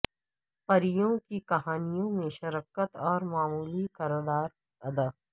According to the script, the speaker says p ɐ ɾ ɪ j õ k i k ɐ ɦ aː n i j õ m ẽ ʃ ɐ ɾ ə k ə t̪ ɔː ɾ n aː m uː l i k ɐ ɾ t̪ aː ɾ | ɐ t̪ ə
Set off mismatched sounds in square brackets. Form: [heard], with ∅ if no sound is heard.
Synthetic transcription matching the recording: p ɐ ɾ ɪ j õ k i k ɐ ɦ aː n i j õ m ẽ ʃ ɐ ɾ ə k ə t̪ ɔː ɾ [m] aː m uː l i k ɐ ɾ [d̪] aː ɾ | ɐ [d̪] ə